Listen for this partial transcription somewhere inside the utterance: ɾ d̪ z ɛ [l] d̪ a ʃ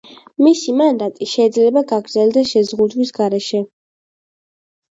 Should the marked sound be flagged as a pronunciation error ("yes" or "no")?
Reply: no